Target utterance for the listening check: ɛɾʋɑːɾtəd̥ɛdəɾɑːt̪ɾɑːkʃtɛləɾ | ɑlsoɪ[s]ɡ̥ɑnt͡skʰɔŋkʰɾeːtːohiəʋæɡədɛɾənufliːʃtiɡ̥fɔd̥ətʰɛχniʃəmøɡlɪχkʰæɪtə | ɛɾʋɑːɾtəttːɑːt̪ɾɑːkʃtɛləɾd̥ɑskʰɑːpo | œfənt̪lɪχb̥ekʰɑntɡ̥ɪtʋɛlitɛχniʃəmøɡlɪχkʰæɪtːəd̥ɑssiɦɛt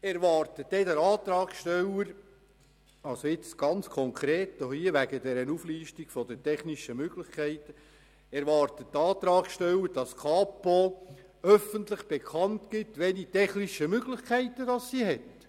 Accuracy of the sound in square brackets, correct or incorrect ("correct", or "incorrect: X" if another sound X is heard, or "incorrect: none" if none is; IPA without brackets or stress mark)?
incorrect: t͡s